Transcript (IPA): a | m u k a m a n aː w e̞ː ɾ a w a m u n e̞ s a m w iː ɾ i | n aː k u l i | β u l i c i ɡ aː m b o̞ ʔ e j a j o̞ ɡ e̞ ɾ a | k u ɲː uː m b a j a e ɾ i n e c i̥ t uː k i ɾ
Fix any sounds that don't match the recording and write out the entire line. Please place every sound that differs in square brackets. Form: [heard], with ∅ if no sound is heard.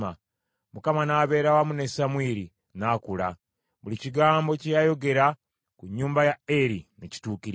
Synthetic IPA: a | m u k a m a n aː [β] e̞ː ɾ a w a m u n e̞ s a m w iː ɾ i | n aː k u l [a] | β u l i c i ɡ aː m b o̞ [c] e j a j o̞ ɡ e̞ ɾ a | k u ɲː uː m b a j a e ɾ i n e c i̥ t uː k i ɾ